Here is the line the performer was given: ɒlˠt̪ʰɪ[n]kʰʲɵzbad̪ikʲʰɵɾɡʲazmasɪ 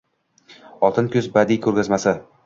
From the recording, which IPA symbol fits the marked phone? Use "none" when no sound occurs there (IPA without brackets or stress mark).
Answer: n